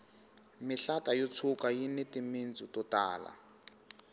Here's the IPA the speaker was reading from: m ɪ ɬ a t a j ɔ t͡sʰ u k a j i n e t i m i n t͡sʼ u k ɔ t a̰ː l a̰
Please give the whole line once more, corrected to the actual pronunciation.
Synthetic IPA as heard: m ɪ ɬ a t a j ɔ t͡sʰ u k a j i n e t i m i n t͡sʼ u t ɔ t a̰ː l a̰